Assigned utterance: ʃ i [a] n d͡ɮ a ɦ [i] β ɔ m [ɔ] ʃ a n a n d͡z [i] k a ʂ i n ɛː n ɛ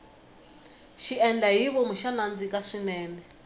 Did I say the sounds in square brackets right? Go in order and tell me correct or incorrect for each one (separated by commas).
incorrect, correct, incorrect, correct